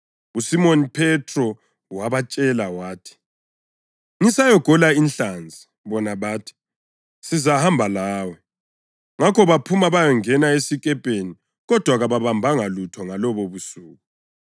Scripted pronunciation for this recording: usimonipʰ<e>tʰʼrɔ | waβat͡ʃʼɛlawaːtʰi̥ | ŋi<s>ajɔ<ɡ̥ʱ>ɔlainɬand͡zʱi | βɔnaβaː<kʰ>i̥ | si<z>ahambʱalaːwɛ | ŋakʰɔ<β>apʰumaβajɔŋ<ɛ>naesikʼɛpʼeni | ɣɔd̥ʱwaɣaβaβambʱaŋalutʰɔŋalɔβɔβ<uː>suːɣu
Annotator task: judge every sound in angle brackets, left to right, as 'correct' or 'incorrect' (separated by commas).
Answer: incorrect, correct, correct, incorrect, correct, correct, correct, incorrect